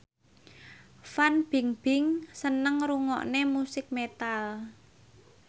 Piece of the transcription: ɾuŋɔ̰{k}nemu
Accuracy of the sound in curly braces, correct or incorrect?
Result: incorrect